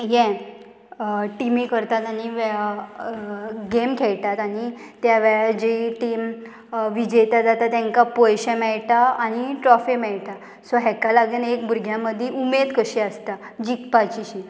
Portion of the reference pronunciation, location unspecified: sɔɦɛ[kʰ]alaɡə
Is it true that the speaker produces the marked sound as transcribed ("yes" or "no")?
no